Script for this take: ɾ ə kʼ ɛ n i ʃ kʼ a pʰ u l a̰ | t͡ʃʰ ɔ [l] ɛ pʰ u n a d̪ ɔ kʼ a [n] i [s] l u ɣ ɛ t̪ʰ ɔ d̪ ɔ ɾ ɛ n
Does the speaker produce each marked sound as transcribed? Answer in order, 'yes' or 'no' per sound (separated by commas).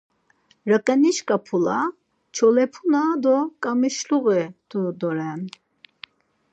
yes, no, no